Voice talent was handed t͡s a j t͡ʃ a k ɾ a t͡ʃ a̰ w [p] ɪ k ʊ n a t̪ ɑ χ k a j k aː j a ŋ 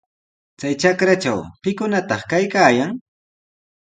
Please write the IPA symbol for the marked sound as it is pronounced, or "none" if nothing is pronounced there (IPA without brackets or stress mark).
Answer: p